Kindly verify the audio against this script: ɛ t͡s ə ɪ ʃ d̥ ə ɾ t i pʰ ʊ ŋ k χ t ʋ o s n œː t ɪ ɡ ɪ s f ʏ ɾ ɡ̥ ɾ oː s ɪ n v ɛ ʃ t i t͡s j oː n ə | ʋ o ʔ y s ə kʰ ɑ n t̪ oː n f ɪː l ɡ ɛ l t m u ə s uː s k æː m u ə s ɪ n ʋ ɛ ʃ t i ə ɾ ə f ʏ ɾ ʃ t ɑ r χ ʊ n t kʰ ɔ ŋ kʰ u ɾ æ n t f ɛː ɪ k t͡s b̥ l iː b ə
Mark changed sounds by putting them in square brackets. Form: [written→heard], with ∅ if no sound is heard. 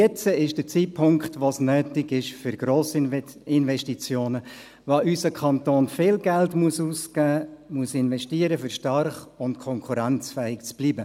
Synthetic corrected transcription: ɛ t͡s ə ɪ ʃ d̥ ə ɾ [t→t͡s] i pʰ ʊ ŋ k χ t ʋ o s n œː t ɪ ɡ ɪ [s→ʃ] f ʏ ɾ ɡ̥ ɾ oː s ɪ n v ɛ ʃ t i t͡s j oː n ə | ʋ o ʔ y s ə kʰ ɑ n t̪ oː n f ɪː l ɡ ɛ l t m u ə s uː s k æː m u ə s ɪ n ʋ ɛ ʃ t i ə ɾ ə f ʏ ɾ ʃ t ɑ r χ ʊ n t kʰ ɔ ŋ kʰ u ɾ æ n [t→t͡s] f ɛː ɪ k t͡s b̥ l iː b ə